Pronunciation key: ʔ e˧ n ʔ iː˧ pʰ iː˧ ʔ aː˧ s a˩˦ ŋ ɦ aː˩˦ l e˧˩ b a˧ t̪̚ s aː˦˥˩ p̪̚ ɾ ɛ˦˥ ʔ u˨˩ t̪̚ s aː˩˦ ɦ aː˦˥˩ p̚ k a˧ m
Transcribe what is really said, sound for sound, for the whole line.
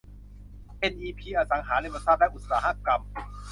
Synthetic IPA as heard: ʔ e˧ n ʔ iː˧ pʰ iː˧ ʔ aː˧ s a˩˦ ŋ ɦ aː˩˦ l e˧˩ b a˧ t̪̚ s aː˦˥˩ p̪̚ l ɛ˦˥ ʔ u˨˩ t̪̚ s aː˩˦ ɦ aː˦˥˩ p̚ k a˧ m